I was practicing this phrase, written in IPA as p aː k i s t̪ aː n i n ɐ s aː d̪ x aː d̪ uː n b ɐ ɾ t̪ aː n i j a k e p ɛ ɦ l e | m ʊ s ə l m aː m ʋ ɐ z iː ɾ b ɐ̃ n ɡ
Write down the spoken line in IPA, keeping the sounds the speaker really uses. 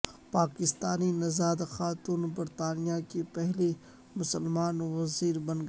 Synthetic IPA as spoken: p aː k ɪ s t̪ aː n i n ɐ z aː d̪ x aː t̪ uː n b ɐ ɾ t̪ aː n i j a k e p ɛ ɦ l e | m ʊ s ə l m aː n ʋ ɐ z iː ɾ b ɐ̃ n ɡ